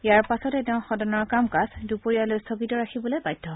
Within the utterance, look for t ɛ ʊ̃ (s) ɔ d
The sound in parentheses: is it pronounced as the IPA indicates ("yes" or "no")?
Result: no